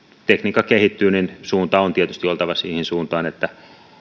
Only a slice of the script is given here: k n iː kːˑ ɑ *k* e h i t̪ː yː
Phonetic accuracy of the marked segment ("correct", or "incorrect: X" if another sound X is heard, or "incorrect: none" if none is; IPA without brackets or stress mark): correct